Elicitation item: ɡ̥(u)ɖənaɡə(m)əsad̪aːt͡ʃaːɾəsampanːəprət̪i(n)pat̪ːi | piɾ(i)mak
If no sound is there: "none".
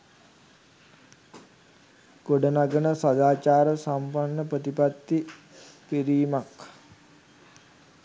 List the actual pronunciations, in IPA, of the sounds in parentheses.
o, n, none, iː

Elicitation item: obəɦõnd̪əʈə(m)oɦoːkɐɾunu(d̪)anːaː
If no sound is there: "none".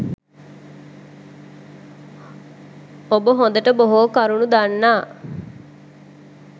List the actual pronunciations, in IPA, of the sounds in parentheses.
b, d̪

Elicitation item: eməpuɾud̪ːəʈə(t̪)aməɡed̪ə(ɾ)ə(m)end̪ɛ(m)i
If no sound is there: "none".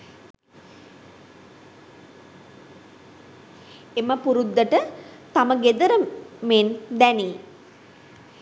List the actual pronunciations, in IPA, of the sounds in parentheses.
t̪, ɾ, m, n

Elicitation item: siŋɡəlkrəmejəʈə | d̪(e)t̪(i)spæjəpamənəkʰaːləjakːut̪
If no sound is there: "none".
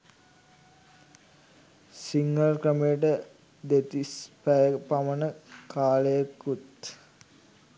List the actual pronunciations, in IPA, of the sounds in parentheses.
e, i

